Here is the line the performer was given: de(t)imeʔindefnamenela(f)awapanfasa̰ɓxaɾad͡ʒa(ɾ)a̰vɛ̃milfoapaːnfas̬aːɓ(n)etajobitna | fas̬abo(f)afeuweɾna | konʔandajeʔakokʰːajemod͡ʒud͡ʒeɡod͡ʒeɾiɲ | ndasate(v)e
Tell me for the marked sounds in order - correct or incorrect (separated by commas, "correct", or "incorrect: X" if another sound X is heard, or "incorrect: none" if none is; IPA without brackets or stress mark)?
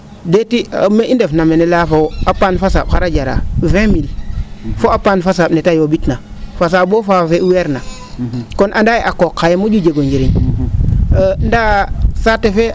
correct, correct, correct, correct, correct, incorrect: f